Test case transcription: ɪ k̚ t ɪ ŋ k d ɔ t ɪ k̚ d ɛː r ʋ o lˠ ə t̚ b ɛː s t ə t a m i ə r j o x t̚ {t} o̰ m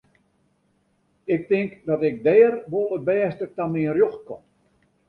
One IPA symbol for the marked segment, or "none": k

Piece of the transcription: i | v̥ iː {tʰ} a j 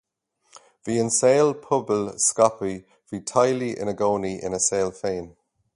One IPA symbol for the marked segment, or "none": tʰ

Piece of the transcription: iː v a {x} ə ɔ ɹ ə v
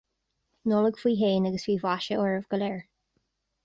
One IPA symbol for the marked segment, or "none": ʃ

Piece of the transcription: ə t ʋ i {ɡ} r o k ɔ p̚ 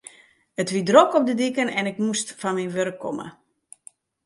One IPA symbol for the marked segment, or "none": d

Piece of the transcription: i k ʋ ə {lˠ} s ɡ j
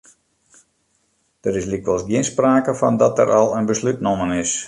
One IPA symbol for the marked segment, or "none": lˠ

